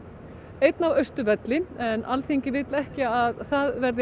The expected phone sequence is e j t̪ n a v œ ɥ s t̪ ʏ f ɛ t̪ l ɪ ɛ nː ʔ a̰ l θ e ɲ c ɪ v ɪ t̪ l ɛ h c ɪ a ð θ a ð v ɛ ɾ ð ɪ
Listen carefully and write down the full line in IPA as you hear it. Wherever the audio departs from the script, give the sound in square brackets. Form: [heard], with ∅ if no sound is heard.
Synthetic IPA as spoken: e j t̪ n a v œ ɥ s t̪ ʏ [v] ɛ t̪ l ɪ ɛ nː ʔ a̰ l θ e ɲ c ɪ v ɪ t̪ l ɛ h c ɪ a ð θ a ð v ɛ ɾ ð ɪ